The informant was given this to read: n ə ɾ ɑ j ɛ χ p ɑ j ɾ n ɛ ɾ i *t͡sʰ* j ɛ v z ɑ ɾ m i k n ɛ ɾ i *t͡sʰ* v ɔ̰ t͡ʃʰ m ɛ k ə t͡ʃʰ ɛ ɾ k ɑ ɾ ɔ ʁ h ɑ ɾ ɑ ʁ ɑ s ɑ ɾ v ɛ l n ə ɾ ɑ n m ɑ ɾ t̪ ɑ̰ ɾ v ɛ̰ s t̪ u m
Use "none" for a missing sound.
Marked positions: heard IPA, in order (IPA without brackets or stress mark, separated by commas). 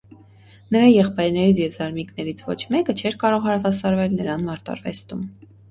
t͡sʰ, t͡sʰ